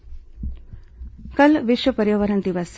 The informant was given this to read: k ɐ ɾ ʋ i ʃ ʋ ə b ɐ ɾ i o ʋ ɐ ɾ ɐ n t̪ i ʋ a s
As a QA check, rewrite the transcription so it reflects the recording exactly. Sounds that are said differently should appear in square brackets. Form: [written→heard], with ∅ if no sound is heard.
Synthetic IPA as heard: k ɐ [ɾ→l] ʋ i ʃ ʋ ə [b→p] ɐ ɾ [i→j] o ʋ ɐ ɾ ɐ n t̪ i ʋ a s